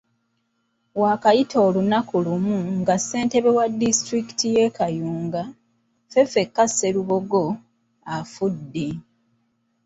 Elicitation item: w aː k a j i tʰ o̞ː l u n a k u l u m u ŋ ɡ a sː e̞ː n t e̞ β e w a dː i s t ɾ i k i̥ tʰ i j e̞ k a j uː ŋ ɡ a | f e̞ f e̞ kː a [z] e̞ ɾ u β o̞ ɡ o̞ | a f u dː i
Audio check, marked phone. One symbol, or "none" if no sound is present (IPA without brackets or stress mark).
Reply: s